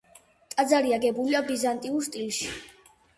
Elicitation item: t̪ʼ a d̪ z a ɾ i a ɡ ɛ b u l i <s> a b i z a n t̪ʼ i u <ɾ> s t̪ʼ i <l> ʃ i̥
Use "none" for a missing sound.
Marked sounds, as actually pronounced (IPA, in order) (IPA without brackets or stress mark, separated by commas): none, ɾ, l